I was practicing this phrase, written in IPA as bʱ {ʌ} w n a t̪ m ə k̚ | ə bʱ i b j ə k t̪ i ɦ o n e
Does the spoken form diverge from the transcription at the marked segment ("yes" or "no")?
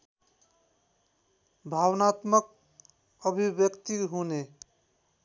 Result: yes